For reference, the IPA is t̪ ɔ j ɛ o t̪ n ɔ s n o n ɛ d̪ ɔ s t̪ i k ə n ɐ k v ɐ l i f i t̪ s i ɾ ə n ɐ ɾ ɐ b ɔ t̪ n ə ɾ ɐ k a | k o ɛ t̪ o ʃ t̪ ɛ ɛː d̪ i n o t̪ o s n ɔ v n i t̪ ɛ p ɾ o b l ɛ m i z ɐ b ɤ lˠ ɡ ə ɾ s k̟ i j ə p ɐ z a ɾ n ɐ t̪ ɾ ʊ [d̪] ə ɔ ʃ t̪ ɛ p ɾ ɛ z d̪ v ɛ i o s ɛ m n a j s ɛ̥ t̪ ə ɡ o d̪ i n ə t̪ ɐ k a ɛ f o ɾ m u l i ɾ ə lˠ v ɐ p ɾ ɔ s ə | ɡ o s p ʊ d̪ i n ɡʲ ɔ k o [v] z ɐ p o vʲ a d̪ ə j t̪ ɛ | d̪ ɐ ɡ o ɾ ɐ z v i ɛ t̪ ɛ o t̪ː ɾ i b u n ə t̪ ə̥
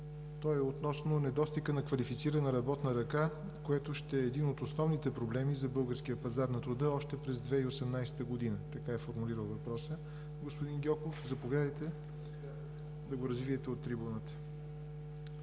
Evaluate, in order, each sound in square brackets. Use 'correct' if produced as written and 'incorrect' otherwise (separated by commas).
correct, incorrect